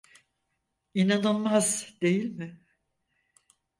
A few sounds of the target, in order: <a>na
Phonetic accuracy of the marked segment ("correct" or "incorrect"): incorrect